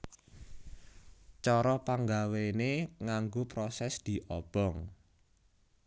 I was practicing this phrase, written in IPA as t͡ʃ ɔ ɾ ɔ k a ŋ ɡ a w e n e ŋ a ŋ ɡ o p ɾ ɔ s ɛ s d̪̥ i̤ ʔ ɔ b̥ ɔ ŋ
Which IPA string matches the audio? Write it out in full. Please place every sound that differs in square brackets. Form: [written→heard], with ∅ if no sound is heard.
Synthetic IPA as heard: t͡ʃ ɔ ɾ ɔ [k→p] a ŋ ɡ a w e n e ŋ a ŋ ɡ o p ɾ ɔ s ɛ s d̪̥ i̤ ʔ ɔ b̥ ɔ ŋ